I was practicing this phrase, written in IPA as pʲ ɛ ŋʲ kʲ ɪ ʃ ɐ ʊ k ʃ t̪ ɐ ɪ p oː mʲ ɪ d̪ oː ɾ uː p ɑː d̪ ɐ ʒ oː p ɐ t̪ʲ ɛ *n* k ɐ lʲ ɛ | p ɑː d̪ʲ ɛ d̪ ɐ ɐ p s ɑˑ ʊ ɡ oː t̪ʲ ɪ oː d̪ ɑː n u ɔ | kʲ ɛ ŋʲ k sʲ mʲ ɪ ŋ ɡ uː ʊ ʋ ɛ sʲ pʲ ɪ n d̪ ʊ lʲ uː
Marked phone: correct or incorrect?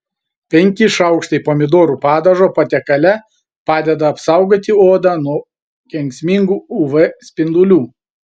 incorrect